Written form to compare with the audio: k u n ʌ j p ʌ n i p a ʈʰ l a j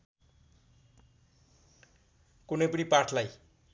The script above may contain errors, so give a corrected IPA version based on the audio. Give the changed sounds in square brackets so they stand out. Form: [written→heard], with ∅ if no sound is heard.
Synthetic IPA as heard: k u n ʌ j p ʌ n i p a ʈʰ l a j